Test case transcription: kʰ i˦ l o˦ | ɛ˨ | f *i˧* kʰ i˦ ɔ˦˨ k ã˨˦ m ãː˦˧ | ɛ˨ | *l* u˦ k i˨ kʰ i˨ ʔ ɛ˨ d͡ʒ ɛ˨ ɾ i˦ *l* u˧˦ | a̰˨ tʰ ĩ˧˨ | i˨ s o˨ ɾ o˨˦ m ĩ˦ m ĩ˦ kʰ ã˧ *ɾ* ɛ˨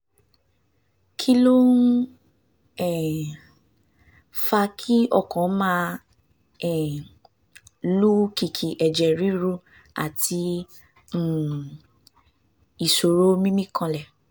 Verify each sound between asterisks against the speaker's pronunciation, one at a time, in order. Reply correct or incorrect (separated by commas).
incorrect, correct, incorrect, incorrect